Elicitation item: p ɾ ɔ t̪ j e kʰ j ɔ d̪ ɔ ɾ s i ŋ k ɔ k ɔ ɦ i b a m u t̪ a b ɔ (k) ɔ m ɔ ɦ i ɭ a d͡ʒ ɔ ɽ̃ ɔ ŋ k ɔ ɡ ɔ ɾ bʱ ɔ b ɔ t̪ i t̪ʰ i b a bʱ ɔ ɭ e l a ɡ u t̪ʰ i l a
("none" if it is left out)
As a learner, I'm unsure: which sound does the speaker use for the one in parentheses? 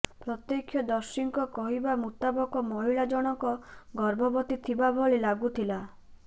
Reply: k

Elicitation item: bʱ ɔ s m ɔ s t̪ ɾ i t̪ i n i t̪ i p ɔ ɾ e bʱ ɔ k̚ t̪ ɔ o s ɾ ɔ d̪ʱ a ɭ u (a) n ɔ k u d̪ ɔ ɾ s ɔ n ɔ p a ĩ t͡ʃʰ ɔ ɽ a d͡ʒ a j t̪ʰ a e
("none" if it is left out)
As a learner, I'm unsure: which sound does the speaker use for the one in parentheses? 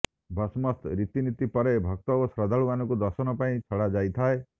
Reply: a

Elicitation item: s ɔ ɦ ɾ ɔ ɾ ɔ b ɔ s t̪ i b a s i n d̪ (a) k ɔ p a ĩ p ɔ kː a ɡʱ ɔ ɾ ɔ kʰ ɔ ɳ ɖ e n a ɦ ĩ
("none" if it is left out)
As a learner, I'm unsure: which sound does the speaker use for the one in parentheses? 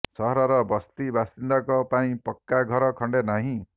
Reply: a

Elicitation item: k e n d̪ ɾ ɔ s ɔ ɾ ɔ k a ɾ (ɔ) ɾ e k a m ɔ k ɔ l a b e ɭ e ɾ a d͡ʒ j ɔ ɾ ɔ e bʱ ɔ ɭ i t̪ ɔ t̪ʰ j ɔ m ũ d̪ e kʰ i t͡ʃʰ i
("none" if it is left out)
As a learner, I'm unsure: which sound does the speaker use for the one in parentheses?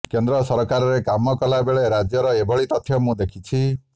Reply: ɔ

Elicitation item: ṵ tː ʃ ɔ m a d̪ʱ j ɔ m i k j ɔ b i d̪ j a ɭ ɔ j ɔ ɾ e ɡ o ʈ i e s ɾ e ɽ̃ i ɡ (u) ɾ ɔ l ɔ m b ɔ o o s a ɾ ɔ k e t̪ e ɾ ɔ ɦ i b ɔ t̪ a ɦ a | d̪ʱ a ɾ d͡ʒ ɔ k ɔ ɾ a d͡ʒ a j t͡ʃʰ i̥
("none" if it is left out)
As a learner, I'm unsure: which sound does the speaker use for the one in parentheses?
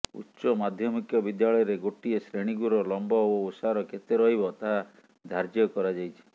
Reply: u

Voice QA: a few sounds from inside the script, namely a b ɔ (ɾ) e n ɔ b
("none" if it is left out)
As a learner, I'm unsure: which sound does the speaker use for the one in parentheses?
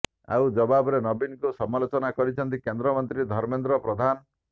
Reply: ɾ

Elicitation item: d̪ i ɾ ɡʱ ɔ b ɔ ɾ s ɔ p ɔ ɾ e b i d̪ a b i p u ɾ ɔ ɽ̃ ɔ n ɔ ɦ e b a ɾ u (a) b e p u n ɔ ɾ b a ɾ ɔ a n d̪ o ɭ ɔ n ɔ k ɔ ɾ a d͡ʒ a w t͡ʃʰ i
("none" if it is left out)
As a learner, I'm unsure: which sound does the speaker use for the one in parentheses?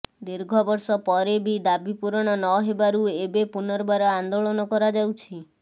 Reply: e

